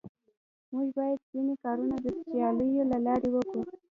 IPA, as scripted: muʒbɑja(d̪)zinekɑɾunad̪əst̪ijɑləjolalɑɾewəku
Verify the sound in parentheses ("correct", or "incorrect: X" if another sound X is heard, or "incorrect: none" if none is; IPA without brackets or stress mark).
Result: correct